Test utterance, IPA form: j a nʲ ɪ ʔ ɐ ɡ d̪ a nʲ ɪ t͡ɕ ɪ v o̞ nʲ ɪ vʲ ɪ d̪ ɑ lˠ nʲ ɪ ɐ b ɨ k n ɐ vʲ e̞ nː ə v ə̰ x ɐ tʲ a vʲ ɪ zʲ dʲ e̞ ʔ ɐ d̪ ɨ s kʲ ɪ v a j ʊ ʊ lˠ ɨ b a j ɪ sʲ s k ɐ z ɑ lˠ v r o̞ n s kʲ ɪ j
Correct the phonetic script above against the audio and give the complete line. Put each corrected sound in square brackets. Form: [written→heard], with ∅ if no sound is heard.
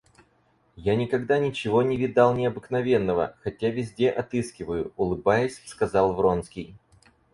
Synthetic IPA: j a nʲ ɪ [ʔ→k] ɐ ɡ d̪ a nʲ ɪ t͡ɕ ɪ v o̞ nʲ ɪ vʲ ɪ d̪ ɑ lˠ nʲ ɪ ɐ b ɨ k n ɐ vʲ e̞ nː ə v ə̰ x ɐ tʲ a vʲ ɪ zʲ dʲ e̞ ʔ ɐ [d̪→t̪] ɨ s kʲ ɪ v [a→ə] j ʊ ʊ lˠ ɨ b a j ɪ sʲ s k ɐ z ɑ lˠ v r o̞ n s kʲ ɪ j